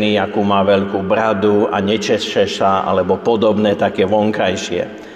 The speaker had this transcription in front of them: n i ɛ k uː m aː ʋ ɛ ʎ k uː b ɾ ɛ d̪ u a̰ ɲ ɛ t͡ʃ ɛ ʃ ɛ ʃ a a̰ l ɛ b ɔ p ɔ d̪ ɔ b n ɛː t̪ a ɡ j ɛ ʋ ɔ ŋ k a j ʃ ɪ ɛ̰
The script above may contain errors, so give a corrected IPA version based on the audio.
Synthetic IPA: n i a k uː m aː ʋ ɛ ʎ k uː b ɾ a d̪ u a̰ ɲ ɛ t͡ʃ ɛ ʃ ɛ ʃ a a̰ l ɛ b ɔ p ɔ d̪ ɔ b n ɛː t̪ a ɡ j ɛ ʋ ɔ ŋ k a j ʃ ɪ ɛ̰